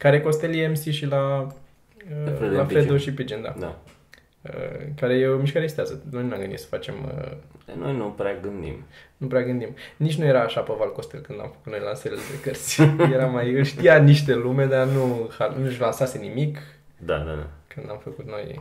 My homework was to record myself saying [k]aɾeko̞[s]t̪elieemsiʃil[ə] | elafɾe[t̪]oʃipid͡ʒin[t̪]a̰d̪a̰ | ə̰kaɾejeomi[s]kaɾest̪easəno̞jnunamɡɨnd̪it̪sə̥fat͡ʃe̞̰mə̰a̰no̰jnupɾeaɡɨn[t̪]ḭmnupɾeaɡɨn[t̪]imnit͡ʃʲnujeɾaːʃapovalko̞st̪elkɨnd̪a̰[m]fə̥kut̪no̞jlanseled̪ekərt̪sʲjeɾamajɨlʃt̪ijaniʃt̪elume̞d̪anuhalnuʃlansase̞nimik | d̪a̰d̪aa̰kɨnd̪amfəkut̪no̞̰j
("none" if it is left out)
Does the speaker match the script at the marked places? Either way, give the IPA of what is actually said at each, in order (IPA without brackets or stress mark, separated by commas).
k, s, a, d̪, d̪, ʃ, d̪, d̪, m